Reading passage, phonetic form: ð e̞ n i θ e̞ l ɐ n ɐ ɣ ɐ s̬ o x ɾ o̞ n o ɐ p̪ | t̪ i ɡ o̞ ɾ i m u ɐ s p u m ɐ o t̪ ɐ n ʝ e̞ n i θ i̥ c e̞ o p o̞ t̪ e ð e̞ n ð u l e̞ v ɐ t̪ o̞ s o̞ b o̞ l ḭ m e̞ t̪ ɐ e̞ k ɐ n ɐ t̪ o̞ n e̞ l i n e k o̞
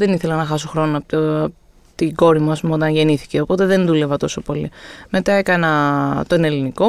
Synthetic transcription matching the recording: ð e̞ n i θ e̞ l ɐ n ɐ x ɐ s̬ o x ɾ o̞ n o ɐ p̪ | t̪ i ɡ o̞ ɾ i m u ɐ s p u m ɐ o t̪ ɐ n ʝ e̞ n i θ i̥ c e̞ o p o̞ t̪ e ð e̞ n ð u l e̞ v ɐ t̪ o̞ s o̞ p o̞ l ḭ m e̞ t̪ ɐ e̞ k ɐ n ɐ t̪ o̞ n e̞ l i n i k o̞